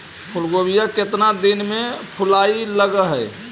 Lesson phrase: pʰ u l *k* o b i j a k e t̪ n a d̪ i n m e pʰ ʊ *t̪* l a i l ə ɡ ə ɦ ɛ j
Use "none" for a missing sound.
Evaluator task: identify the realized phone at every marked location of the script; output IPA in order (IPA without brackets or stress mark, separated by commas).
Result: ɡ, none